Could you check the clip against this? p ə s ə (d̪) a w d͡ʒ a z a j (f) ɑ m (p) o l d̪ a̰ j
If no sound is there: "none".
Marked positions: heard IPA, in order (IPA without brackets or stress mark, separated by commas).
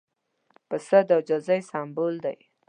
d̪, s, b